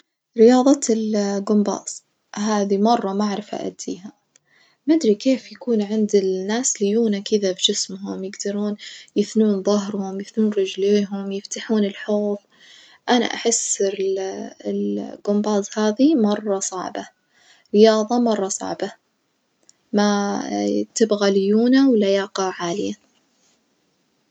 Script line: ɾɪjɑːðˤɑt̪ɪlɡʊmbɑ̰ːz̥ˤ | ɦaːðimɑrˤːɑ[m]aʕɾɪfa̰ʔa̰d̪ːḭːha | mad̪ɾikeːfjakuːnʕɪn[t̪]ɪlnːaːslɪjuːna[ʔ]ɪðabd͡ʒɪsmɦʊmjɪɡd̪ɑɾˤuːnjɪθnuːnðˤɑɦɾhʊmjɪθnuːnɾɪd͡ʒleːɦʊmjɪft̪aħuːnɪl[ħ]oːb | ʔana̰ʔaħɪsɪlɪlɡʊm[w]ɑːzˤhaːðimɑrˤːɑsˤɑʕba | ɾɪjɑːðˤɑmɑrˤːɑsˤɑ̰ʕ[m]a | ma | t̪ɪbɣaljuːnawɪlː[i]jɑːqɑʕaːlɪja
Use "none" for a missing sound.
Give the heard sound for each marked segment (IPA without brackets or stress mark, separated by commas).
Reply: m, d̪, k, ħ, b, b, a